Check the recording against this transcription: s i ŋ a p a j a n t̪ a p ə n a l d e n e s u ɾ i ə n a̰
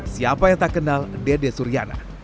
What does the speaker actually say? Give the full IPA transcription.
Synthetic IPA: s i a p a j a ŋ t̪ a k ə n a l d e d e s u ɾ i a n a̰